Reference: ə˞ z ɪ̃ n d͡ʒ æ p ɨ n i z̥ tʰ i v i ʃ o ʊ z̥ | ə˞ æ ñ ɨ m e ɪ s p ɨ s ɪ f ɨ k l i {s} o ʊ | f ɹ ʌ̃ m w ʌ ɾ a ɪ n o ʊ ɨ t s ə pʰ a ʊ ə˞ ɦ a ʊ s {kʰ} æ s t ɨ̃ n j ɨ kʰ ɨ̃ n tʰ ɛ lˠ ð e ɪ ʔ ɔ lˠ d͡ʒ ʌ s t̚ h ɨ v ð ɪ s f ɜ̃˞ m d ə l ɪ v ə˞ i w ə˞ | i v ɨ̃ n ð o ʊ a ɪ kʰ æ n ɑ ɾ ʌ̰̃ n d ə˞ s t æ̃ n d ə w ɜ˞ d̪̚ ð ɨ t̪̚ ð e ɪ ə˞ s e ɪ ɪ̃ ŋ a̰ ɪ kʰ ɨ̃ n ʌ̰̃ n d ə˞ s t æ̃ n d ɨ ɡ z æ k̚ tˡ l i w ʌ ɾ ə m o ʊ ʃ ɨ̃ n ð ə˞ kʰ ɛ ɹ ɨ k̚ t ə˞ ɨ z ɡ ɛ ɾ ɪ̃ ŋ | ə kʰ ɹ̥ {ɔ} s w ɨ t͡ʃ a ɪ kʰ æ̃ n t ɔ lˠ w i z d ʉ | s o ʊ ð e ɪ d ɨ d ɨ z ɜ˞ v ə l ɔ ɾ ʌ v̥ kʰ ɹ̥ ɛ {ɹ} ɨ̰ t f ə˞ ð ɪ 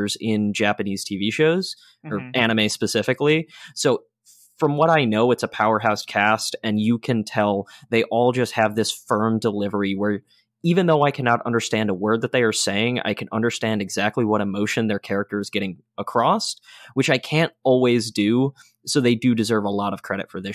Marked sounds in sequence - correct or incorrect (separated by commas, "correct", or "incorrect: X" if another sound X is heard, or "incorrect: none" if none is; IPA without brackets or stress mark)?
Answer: correct, correct, correct, incorrect: ɾ